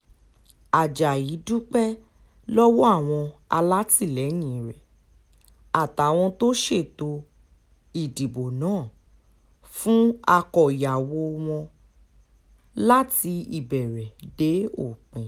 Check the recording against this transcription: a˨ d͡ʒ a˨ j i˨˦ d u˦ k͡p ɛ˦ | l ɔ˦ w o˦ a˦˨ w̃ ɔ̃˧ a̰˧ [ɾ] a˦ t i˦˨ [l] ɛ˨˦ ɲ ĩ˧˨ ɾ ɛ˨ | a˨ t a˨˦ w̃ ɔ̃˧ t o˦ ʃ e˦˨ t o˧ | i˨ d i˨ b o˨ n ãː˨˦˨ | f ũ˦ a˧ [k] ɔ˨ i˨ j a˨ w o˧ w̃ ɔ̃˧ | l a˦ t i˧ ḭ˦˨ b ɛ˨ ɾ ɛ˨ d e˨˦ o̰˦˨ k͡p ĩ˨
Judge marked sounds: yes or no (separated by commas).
no, yes, yes